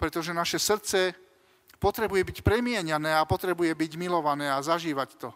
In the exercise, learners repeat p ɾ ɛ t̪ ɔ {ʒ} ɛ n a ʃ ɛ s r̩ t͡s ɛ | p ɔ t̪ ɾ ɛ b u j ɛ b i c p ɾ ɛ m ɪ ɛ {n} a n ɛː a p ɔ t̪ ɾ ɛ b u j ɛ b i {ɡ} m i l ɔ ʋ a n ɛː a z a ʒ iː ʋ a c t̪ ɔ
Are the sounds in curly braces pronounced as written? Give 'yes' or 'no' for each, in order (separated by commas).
yes, no, no